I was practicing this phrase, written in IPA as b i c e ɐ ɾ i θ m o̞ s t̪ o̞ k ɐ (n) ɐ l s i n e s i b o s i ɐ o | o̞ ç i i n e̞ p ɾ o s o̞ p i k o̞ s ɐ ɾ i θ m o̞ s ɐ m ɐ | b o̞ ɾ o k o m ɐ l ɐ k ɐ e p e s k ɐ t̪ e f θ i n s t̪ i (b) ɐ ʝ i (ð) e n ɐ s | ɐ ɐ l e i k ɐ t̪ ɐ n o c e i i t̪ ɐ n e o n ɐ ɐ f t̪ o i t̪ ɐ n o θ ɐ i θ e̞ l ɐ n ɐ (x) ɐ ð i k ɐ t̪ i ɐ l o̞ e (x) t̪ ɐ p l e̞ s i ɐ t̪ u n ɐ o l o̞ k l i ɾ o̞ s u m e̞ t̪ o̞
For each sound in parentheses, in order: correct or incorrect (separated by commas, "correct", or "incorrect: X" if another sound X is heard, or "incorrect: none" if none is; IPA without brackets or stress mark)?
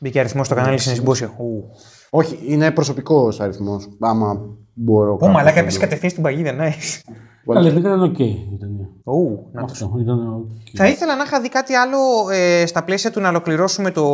correct, correct, correct, correct, incorrect: s